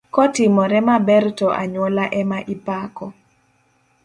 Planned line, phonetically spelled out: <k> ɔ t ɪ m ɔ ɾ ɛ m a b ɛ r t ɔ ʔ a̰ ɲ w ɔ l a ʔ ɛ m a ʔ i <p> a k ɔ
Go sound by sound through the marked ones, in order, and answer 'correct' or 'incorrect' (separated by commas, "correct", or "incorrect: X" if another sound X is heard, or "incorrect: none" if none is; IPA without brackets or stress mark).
correct, correct